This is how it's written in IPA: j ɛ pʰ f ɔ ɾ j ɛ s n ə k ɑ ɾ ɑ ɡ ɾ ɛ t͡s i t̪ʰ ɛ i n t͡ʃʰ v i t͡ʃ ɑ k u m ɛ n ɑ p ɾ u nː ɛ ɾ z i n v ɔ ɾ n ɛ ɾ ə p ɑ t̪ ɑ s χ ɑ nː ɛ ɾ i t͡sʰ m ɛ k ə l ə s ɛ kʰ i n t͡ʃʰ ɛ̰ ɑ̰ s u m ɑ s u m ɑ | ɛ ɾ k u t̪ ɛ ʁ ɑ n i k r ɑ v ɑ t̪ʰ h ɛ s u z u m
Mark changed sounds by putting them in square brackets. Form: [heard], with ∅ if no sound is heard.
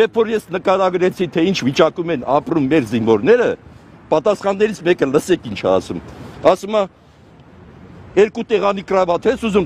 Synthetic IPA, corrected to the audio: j ɛ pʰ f ɔ ɾ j ɛ s n ə k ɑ ɾ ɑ ɡ ɾ ɛ [t͡sʰ] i t̪ʰ ɛ i n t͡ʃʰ v i t͡ʃ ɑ k u m ɛ n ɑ p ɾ u [mː] ɛ ɾ z i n v ɔ ɾ n ɛ ɾ ə p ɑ t̪ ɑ s χ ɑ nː ɛ ɾ i t͡sʰ m ɛ k ə l ə s ɛ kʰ i n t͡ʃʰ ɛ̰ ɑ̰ s u m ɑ s u m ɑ | ɛ ɾ k u t̪ ɛ ʁ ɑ n i k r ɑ v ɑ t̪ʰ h ɛ s u z u m